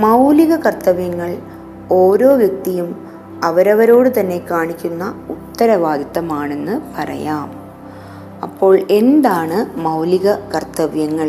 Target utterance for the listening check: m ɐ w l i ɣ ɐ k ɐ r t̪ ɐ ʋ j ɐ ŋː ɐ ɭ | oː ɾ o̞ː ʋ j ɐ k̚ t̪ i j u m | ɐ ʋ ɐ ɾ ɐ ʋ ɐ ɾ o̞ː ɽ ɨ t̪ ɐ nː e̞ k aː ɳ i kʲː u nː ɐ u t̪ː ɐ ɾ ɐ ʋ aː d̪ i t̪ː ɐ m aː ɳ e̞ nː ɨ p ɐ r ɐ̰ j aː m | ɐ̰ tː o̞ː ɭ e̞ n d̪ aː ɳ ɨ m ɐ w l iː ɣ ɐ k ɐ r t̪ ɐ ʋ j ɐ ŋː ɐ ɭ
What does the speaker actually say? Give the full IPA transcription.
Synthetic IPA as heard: m ɐ w l i ɣ ɐ k ɐ r t̪ ɐ ʋ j ɐ ŋː ɐ ɭ | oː ɾ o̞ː ʋ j ɐ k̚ t̪ i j u m | ɐ ʋ ɐ ɾ ɐ ʋ ɐ ɾ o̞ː ɽ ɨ t̪ ɐ nː e̞ k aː ɳ i kʲː u nː ɐ u t̪ː ɐ ɾ ɐ ʋ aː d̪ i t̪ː ɐ m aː ɳ e̞ nː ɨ p ɐ r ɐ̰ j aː m | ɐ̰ pː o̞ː ɭ e̞ n d̪ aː ɳ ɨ m ɐ w l i ɣ ɐ k ɐ r t̪ ɐ ʋ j ɐ ŋː ɐ ɭ